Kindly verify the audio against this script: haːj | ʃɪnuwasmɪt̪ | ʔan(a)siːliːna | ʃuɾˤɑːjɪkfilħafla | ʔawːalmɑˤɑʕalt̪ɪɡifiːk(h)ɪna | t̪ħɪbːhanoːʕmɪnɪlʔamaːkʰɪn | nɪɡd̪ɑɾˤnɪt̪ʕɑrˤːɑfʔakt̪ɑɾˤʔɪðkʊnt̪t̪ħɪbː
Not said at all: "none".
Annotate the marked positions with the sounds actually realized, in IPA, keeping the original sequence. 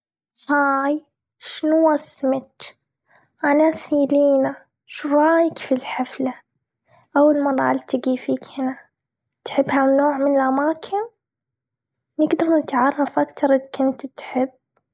a, h

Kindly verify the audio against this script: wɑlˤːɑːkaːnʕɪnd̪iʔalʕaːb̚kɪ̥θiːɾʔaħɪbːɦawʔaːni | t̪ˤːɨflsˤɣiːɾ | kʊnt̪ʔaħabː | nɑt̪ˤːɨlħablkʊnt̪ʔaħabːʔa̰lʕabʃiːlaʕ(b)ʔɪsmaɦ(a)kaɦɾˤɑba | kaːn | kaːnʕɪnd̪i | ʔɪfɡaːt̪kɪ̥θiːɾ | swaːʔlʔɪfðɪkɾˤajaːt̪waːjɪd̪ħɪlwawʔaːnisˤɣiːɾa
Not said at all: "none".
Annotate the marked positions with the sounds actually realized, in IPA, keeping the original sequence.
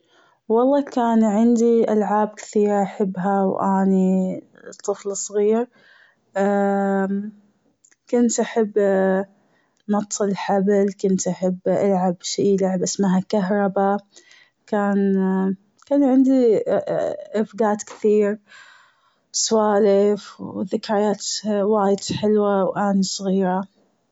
b, a

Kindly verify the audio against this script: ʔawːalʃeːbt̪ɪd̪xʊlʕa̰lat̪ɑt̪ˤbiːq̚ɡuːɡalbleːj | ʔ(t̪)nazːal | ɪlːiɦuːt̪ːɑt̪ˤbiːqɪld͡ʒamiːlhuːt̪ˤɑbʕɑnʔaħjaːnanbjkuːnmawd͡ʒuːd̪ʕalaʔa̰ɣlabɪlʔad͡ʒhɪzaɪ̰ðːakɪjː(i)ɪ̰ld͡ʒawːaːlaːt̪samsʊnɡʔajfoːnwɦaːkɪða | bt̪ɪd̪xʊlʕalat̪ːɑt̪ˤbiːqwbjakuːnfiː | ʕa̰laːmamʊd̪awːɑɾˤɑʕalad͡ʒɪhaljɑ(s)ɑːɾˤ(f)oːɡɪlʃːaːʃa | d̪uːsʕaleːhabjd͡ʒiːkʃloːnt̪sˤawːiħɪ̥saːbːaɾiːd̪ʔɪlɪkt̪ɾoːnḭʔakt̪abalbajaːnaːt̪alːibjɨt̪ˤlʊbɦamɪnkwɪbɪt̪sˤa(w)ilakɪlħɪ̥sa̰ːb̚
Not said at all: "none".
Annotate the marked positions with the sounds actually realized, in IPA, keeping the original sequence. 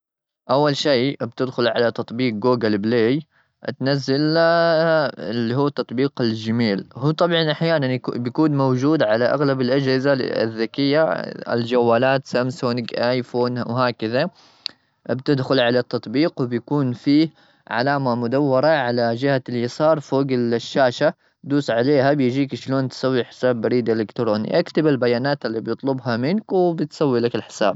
t̪, a, s, f, wː

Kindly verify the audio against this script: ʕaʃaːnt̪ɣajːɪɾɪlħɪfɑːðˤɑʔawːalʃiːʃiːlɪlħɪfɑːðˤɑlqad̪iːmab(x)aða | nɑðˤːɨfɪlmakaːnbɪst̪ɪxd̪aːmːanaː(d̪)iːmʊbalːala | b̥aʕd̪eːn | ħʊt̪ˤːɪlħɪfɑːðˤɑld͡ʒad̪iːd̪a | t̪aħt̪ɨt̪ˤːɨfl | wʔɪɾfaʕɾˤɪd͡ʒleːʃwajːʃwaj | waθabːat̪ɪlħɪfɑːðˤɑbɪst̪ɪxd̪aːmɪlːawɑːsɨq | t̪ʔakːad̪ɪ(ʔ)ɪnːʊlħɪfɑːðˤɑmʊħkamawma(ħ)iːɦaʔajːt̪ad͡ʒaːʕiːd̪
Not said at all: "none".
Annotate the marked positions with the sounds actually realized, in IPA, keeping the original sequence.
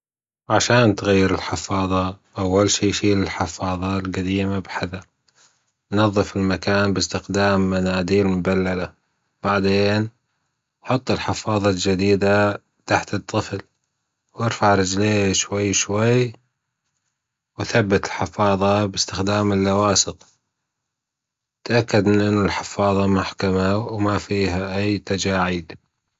ħ, d̪, ʔ, f

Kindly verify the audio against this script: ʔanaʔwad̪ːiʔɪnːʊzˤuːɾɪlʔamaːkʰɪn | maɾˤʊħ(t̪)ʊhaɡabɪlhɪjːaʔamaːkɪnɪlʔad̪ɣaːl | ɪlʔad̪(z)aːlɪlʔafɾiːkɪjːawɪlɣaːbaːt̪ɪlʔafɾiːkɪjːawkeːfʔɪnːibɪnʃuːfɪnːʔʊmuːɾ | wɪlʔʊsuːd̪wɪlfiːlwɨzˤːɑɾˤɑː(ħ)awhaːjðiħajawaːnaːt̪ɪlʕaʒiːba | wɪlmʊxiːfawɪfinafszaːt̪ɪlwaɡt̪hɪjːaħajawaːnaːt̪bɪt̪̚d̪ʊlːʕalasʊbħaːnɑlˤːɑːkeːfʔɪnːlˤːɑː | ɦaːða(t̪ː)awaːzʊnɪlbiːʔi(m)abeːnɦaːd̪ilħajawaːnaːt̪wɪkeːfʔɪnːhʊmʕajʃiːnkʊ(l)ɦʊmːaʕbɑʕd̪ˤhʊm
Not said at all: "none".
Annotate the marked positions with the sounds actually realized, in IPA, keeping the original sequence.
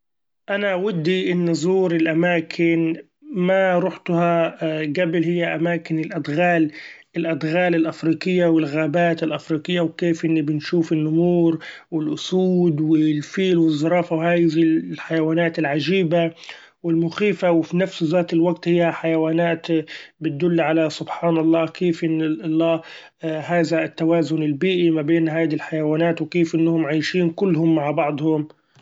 t̪, ɣ, f, t̪ː, m, lː

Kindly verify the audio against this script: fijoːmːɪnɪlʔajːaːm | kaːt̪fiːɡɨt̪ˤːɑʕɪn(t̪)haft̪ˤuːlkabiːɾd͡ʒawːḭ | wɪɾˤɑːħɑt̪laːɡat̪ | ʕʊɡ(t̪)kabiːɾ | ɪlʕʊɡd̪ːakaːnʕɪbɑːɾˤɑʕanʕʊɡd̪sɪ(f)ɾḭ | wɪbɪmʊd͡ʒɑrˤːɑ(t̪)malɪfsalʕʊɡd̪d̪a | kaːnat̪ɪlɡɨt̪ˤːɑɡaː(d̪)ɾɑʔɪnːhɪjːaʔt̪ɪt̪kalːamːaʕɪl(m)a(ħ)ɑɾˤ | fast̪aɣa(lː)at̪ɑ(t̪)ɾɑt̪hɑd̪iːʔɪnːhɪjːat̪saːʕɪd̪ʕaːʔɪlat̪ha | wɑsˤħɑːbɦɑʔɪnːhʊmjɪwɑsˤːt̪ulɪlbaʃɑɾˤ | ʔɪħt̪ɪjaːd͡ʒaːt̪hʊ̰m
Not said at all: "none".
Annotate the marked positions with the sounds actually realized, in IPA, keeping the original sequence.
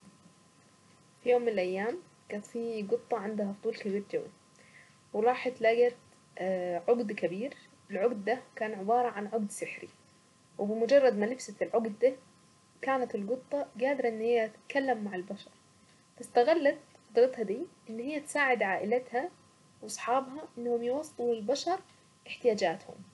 d̪, d̪, ħ, d̪, d̪, b, ʃ, lː, d̪

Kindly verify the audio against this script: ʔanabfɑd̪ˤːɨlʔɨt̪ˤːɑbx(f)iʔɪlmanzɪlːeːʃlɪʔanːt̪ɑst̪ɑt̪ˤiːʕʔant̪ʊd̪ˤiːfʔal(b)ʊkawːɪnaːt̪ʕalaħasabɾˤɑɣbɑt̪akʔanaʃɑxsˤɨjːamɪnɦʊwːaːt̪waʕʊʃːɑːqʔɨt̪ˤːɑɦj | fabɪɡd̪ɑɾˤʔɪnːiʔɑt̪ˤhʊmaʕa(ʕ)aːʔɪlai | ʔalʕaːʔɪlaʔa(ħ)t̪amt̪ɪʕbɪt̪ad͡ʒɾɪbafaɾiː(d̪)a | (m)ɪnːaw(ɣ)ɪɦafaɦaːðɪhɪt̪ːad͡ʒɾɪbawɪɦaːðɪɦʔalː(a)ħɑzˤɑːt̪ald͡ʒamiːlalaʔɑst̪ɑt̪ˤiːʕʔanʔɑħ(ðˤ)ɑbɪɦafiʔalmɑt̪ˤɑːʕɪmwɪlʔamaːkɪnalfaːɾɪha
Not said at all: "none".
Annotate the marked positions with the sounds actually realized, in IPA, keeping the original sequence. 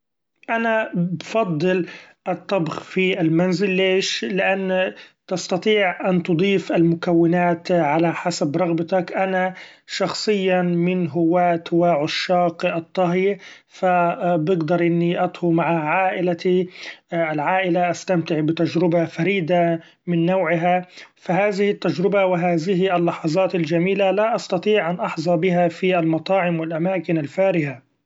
f, m, ʕ, s, d̪, m, ʕ, ɑ, zˤ

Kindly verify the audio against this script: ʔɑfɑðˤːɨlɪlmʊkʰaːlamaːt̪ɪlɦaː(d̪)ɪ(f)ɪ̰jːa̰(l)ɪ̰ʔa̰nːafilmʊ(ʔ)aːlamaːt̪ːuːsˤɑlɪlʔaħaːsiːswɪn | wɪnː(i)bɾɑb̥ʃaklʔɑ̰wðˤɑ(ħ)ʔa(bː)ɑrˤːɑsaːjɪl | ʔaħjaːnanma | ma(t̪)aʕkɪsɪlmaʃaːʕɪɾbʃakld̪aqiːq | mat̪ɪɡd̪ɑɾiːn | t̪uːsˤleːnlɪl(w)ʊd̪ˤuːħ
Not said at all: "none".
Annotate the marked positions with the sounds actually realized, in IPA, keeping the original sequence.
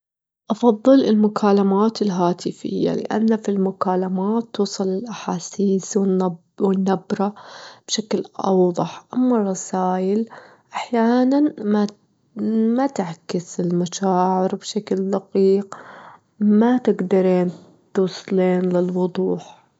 t̪, f, l, k, a, ħ, mː, t̪, w

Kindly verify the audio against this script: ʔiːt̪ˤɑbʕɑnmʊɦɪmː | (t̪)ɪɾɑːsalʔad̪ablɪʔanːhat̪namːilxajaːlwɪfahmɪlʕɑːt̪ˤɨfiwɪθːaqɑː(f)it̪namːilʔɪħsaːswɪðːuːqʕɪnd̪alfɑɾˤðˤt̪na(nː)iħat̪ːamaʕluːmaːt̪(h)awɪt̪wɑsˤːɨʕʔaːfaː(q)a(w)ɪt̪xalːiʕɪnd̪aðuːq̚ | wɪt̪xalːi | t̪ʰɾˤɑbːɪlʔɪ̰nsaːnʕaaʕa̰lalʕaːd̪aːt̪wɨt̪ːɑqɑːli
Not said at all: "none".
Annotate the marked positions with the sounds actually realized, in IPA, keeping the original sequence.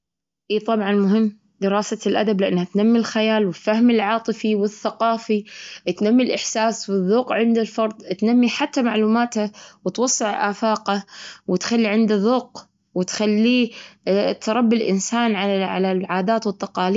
d̪, f, mː, h, q, w

